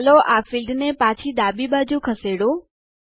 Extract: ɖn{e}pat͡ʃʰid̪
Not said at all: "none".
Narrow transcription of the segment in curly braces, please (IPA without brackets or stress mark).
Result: e